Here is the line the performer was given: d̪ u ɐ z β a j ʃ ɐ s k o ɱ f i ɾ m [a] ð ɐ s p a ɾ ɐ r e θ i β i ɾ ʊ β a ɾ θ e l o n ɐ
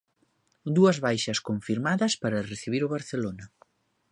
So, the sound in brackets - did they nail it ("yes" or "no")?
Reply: yes